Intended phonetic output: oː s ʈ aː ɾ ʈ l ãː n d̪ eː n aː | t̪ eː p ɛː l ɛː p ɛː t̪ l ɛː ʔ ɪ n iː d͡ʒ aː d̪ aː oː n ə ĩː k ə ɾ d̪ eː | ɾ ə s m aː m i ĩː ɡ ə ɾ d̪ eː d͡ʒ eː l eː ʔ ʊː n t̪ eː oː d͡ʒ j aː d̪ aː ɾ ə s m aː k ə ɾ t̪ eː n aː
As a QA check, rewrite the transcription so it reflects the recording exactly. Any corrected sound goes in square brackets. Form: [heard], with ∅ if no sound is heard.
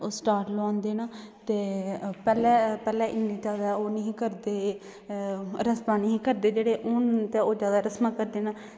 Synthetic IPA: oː s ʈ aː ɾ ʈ l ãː n d̪ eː n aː | t̪ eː p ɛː l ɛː p ɛː [∅] l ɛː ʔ ɪ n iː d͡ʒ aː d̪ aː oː n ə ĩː k ə ɾ d̪ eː | ɾ ə s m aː [n] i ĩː [k] ə ɾ d̪ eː d͡ʒ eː [ɽ] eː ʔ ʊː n t̪ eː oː d͡ʒ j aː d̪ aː ɾ ə s m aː k ə ɾ [d̪] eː n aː